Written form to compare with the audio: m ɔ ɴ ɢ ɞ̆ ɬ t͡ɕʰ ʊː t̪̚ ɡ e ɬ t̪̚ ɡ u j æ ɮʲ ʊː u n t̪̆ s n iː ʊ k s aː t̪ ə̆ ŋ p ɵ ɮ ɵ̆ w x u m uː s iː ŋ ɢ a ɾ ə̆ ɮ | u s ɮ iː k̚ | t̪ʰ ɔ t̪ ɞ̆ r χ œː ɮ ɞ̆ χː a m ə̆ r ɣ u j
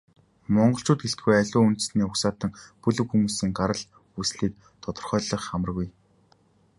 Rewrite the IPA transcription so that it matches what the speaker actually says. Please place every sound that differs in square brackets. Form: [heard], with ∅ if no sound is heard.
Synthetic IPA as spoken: m ɔ ɴ ɢ ɞ̆ ɬ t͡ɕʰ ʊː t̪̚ ɡ e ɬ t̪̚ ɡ u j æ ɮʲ ʊː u n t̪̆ s n iː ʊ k s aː t̪ ə̆ ŋ p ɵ ɮ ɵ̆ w x u m uː s iː ŋ ɢ a ɾ ə̆ ɮ | u s ɮ iː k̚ | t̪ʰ ɔ t̪ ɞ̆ r χ œː ɮ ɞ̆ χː a m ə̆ r ɣ u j